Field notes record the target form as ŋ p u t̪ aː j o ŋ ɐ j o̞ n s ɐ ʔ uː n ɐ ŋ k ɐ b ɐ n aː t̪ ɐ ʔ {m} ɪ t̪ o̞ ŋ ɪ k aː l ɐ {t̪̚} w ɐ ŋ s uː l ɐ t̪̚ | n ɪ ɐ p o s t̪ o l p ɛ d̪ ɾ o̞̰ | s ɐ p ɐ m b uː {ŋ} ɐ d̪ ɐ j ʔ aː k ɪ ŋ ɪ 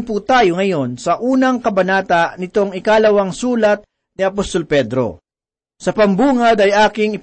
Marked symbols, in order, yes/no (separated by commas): no, no, yes